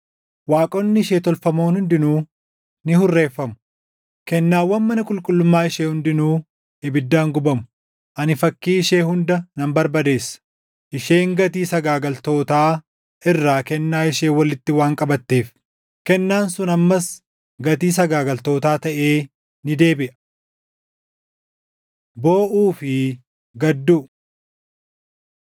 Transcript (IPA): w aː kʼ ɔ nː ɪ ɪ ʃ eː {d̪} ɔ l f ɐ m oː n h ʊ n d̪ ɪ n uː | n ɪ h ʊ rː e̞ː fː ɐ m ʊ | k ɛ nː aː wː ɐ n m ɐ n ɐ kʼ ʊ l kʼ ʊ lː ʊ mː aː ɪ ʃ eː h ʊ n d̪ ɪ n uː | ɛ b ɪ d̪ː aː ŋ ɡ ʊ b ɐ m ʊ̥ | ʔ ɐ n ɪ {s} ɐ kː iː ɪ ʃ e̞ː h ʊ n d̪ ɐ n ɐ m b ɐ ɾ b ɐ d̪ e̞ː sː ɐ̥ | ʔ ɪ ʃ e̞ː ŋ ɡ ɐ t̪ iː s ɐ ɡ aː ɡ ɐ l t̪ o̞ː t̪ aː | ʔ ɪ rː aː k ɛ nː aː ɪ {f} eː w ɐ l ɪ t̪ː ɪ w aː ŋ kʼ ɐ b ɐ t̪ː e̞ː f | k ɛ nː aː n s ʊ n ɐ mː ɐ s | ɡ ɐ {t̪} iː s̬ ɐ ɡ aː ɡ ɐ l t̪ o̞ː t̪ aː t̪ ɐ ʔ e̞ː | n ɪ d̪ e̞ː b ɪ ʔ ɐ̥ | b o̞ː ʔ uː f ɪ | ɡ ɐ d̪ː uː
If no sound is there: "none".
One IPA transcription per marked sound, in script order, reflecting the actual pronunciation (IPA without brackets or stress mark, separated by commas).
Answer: t̪, f, ʃ, t̪